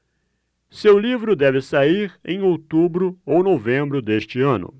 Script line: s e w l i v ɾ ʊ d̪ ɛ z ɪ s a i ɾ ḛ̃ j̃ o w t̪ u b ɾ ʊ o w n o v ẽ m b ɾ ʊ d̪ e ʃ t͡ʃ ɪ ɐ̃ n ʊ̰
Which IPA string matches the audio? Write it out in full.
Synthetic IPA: s e w l i v ɾ ʊ d̪ ɛ v ɪ s a i ɾ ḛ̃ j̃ o w t̪ u b ɾ ʊ o w n o v ẽ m b ɾ ʊ d̪ e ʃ t͡ʃ ɪ ɐ̃ n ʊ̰